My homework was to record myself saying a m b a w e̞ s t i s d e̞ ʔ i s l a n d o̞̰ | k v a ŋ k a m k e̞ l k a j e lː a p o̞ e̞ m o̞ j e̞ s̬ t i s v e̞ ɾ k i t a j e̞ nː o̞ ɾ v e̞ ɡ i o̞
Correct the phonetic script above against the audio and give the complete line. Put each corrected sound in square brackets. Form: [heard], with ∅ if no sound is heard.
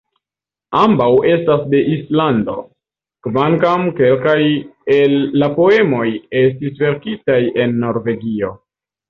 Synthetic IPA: a m b a w e̞ s t [a] s d e̞ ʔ i s l a n d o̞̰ | k v a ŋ k a m k e̞ l k a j e lː a p o̞ e̞ m o̞ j e̞ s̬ t i s v e̞ ɾ k i t a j e̞ nː o̞ ɾ v e̞ ɡ i o̞